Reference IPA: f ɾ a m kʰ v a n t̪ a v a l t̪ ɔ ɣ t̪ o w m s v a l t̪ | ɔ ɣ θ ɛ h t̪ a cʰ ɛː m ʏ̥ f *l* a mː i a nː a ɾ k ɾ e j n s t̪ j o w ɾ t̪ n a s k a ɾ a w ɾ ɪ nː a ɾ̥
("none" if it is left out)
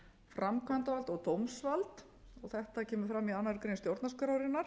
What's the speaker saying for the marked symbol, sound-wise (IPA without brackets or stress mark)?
ɾ